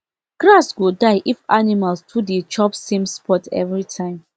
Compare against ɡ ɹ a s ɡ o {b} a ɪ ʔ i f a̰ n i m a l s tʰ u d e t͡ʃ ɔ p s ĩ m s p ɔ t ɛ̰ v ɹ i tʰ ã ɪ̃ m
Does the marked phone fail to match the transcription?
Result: yes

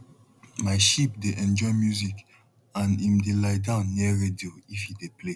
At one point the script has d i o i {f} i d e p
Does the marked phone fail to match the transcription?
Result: no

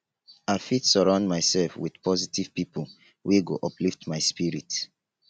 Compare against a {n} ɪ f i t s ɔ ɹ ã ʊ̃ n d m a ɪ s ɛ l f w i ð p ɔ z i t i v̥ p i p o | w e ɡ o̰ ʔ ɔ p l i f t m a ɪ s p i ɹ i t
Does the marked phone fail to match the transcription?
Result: yes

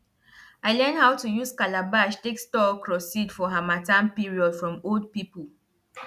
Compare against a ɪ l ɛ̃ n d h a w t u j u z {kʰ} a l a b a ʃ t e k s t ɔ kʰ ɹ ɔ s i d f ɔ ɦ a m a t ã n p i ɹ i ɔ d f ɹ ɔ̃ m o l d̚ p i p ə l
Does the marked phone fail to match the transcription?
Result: yes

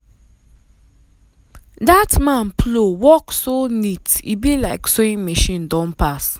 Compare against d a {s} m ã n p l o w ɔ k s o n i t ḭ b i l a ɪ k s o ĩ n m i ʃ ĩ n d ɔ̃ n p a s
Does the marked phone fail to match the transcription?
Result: yes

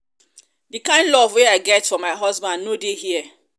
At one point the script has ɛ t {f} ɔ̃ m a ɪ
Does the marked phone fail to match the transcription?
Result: no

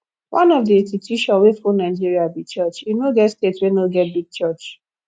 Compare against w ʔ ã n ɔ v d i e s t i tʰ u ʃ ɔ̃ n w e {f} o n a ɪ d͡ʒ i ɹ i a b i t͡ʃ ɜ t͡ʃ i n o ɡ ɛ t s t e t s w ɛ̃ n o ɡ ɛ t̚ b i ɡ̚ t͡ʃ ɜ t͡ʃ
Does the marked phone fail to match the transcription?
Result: no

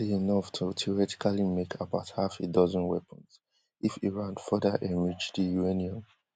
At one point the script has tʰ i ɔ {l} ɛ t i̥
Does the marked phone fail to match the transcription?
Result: yes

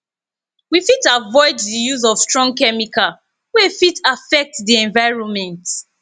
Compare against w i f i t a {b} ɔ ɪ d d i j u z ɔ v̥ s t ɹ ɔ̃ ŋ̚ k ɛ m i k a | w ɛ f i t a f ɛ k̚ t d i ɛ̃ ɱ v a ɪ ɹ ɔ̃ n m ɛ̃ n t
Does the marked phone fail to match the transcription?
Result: yes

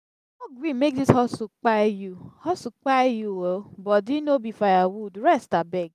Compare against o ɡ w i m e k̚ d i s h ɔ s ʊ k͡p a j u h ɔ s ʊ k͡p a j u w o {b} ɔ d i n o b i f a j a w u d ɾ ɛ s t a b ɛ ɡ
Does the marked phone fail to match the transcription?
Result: no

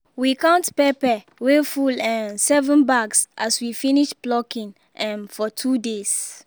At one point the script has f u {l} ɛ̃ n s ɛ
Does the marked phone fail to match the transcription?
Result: no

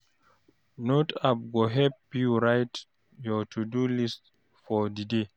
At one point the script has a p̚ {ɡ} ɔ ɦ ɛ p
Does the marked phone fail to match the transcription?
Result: no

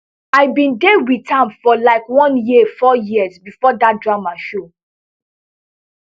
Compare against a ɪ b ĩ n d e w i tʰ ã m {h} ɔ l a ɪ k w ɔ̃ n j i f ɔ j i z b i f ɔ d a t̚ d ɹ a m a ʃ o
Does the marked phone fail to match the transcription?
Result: yes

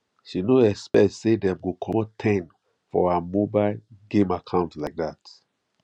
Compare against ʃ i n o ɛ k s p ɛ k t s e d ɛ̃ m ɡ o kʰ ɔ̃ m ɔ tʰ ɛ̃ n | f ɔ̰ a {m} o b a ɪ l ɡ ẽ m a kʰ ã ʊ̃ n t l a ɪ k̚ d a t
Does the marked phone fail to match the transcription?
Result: no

